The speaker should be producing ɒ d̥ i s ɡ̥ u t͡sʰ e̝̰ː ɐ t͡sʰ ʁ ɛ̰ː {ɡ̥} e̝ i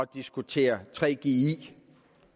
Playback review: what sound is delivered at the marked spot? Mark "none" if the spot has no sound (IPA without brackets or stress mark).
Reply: ɡ̥